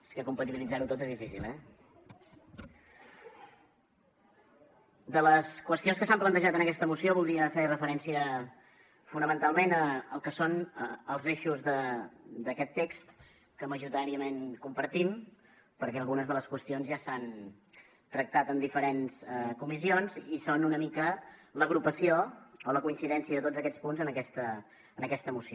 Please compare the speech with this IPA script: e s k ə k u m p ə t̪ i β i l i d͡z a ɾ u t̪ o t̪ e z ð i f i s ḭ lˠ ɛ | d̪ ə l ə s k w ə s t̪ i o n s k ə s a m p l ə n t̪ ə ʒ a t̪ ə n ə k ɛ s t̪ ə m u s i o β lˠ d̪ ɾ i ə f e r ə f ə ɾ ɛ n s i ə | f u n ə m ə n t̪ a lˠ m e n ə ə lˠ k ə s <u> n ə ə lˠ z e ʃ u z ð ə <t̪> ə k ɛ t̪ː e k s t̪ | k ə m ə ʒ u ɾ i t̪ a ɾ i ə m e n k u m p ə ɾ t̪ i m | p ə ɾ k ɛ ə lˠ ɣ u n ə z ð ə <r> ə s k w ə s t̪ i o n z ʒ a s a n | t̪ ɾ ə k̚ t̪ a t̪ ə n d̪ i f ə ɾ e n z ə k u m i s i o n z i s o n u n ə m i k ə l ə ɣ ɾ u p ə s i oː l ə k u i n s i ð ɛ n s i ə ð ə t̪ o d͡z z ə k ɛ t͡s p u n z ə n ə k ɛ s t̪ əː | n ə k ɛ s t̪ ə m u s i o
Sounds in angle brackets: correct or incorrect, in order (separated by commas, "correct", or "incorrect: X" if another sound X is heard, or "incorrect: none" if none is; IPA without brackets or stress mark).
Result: incorrect: o, incorrect: d̪, incorrect: l